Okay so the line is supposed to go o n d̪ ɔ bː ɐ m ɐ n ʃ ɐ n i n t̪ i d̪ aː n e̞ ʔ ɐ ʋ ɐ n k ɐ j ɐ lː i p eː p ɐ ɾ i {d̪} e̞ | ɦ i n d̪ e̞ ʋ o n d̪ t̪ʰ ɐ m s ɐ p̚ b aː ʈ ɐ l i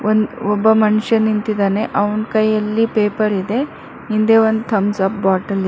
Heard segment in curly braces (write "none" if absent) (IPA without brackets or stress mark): d̪